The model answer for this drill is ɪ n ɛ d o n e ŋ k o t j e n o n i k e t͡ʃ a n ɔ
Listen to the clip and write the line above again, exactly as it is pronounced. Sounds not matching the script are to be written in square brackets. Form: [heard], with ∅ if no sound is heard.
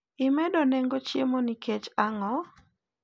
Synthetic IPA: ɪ [m] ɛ d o n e ŋ [ɡ] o [t͡ʃ] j e [m] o n i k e t͡ʃ a [ŋ] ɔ